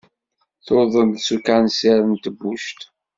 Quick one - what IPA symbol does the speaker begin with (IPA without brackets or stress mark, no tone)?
θ